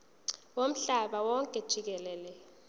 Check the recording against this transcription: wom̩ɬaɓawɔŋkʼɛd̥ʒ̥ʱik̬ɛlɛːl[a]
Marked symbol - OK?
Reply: no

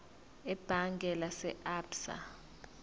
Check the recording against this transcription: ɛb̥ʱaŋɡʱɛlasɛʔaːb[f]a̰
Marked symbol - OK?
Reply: no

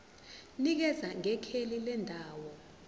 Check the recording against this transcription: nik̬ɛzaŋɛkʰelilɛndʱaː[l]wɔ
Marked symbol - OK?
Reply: no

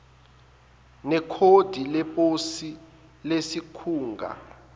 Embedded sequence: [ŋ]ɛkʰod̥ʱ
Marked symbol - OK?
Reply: no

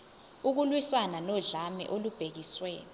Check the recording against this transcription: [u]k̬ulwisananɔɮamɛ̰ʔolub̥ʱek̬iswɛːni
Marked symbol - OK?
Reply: yes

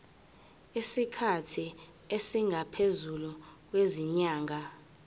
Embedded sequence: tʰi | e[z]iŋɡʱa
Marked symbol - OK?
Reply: no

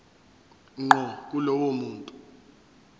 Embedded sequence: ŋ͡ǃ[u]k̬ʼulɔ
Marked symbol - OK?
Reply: no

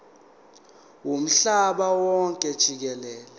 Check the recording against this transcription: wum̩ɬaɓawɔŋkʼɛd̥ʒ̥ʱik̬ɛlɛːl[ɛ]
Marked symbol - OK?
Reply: yes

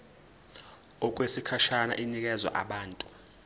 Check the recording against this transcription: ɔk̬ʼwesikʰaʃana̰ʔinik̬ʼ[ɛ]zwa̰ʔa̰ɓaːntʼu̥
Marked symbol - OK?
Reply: yes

